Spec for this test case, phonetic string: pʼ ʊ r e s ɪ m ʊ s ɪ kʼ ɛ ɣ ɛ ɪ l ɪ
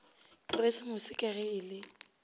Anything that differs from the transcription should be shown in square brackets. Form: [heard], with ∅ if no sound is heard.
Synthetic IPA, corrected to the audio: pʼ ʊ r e s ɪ m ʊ s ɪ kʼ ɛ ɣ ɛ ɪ l ɪ

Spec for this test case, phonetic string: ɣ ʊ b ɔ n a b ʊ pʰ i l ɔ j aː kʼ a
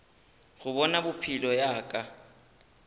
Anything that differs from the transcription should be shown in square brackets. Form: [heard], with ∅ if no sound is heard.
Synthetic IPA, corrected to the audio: ɣ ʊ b ɔ n a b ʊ pʰ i l ɔ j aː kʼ a

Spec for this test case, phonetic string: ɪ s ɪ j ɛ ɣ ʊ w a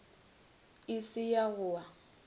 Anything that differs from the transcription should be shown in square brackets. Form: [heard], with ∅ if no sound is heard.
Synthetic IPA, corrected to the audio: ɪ s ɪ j [a] ɣ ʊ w a

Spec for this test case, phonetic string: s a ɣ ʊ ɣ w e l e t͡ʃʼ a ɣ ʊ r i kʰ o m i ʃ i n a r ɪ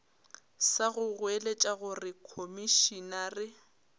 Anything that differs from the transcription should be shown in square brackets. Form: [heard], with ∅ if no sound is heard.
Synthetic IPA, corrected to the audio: s a ɣ ʊ ɣ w e l e t͡ʃʼ a ɣ ʊ r [ɪ] kʰ o m i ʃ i n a r ɪ

